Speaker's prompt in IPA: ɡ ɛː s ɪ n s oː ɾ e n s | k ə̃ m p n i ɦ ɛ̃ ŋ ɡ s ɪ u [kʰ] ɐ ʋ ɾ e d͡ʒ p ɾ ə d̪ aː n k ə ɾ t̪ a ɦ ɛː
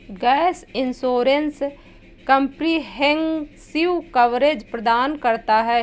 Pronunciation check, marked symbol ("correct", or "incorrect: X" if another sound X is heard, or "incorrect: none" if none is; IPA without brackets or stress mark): incorrect: k